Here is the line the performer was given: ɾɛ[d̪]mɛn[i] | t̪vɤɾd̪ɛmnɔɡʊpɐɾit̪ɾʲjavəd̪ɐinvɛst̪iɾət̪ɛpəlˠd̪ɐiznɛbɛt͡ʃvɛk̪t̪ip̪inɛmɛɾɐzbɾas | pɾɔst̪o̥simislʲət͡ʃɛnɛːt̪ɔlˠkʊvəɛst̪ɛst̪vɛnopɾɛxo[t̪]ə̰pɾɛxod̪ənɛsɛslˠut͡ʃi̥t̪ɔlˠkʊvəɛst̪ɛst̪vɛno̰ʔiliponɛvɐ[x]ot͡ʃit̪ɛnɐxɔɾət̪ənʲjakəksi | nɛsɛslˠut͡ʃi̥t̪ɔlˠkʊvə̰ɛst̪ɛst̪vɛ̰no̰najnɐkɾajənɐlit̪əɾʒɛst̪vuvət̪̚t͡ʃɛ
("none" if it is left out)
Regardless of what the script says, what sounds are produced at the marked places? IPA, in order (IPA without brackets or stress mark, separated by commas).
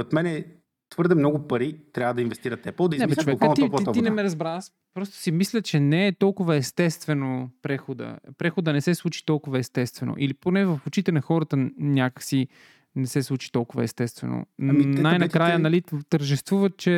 t̪, ɛ, d̪, f